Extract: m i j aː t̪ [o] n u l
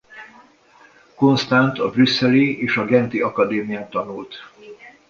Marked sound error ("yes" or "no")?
yes